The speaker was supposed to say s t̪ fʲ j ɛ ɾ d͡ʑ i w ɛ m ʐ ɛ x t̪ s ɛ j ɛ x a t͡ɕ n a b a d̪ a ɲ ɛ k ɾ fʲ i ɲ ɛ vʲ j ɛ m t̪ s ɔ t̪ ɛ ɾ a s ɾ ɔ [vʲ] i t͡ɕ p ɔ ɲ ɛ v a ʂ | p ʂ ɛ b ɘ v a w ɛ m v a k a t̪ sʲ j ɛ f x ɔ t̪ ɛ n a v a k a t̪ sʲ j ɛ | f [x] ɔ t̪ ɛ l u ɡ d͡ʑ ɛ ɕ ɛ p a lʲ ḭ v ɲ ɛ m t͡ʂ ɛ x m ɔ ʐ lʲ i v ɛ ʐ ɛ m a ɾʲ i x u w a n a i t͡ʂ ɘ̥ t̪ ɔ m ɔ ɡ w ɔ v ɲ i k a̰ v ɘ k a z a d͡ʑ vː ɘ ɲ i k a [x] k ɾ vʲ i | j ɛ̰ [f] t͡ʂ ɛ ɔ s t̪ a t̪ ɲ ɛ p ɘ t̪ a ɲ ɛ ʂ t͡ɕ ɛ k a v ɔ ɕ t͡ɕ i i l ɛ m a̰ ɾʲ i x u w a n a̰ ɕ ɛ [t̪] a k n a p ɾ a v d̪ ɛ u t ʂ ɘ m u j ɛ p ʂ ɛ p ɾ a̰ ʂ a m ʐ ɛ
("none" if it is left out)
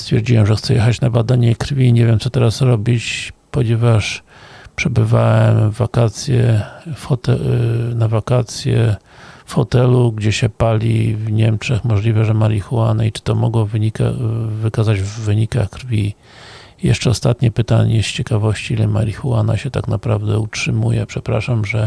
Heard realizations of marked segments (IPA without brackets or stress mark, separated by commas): bʲ, x, x, ʂ, t̪